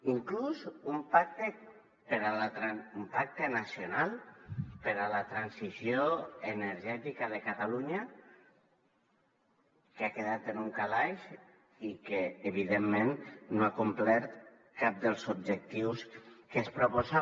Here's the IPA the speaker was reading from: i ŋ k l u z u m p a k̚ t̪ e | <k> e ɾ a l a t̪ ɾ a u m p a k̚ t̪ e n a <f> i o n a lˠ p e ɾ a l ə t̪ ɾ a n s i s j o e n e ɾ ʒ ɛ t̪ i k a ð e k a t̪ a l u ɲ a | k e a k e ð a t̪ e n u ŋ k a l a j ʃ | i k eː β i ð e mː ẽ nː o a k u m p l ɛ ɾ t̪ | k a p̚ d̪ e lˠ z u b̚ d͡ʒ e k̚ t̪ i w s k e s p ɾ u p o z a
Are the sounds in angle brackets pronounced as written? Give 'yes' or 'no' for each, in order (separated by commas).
no, no